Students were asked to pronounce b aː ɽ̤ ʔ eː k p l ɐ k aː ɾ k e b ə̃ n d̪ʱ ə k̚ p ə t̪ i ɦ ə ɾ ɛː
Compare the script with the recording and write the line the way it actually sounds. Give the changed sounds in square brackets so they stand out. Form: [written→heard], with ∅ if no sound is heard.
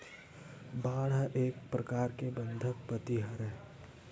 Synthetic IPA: b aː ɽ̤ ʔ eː k p [l→ɾ] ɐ k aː ɾ k e b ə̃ n d̪ʱ ə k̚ p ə t̪ i ɦ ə ɾ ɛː